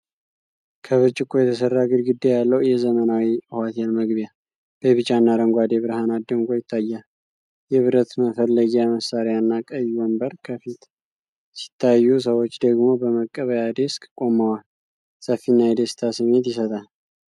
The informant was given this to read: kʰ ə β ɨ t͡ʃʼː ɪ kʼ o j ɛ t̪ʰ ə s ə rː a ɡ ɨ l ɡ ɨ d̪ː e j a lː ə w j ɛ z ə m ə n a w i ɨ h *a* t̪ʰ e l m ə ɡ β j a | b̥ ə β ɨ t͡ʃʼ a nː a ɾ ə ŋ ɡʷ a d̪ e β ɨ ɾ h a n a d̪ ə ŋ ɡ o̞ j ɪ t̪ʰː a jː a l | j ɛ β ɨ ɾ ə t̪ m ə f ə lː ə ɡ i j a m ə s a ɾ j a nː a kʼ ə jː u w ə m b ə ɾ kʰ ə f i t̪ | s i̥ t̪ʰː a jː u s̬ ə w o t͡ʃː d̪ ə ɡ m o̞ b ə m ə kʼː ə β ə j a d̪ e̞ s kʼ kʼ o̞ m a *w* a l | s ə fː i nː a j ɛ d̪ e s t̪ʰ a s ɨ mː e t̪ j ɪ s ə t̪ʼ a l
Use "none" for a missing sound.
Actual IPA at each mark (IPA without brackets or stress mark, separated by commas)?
a, w